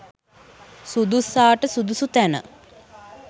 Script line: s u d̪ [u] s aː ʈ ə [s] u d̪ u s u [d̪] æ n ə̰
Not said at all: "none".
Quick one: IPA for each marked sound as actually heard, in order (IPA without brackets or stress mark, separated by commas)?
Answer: u, s, t̪